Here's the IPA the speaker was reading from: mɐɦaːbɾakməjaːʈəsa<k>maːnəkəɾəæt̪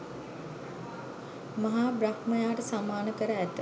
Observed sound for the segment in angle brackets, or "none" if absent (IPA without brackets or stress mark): none